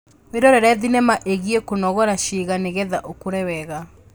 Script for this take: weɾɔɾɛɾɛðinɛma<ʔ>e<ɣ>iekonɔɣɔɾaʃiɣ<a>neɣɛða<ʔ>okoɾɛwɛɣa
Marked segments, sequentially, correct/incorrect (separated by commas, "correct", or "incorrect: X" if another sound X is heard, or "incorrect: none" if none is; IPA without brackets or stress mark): correct, correct, correct, correct